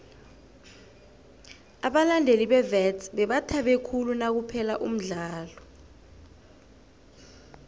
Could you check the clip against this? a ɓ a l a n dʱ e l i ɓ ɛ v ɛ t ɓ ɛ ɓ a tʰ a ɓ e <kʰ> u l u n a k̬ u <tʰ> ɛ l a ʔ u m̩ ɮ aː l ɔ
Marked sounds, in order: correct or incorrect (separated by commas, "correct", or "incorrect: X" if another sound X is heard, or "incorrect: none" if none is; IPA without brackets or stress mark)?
correct, incorrect: pʰ